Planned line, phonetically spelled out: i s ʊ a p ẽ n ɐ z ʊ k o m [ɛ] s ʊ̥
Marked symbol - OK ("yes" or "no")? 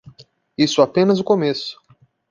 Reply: no